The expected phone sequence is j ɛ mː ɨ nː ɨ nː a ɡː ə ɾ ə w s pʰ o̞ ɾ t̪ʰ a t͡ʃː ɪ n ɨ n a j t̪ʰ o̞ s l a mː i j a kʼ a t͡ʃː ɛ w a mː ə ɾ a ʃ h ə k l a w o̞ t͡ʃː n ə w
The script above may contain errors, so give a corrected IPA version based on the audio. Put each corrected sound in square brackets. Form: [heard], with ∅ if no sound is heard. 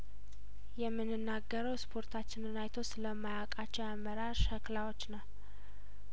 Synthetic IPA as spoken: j ɛ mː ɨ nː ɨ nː a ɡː ə ɾ ə w s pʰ o̞ ɾ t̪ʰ a t͡ʃː ɪ n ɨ n a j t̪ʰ o̞ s l [ə] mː [a] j a kʼ a t͡ʃː ɛ w a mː ə ɾ a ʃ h ə k l a w o̞ t͡ʃː n ə w